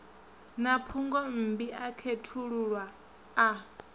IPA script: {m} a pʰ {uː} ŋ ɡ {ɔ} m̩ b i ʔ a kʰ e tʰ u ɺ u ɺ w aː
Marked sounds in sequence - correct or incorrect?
incorrect, incorrect, correct

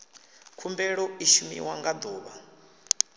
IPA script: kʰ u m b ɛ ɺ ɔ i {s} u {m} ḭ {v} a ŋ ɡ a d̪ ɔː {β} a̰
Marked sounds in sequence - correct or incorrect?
incorrect, correct, incorrect, correct

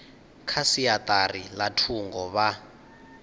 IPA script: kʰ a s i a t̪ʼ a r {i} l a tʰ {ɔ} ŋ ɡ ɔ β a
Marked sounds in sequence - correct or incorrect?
correct, incorrect

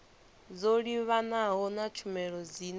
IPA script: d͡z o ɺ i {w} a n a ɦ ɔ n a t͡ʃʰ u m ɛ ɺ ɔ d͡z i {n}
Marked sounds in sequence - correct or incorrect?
incorrect, correct

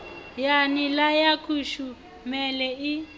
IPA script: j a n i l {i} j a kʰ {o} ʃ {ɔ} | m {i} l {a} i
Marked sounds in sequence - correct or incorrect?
incorrect, incorrect, incorrect, incorrect, incorrect

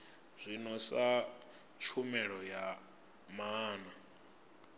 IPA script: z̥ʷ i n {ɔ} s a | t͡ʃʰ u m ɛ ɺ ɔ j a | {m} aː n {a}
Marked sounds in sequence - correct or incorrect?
correct, correct, correct

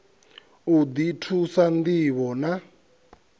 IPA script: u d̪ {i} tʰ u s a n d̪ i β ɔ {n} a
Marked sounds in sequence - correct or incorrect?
correct, correct

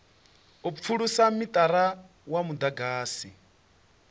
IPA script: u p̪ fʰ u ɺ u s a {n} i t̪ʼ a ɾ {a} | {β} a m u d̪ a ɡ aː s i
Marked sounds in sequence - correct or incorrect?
incorrect, correct, incorrect

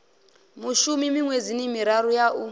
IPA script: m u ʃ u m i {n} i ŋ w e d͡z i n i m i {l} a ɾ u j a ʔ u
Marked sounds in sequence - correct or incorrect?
incorrect, incorrect

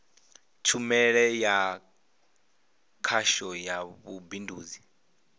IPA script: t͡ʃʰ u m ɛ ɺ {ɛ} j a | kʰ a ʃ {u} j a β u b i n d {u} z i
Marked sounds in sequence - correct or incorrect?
correct, incorrect, incorrect

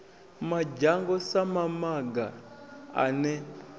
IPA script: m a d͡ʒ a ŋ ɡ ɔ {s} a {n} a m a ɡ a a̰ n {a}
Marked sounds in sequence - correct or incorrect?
correct, incorrect, incorrect

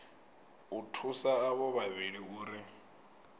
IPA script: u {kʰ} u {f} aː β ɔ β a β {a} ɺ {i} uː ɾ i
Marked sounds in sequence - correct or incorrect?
incorrect, incorrect, incorrect, correct

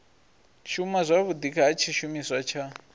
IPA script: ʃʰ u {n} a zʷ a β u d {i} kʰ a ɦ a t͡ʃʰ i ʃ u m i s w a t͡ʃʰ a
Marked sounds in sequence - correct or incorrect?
incorrect, correct

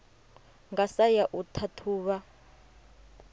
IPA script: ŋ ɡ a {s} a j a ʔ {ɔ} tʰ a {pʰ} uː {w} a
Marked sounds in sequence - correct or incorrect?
correct, incorrect, incorrect, incorrect

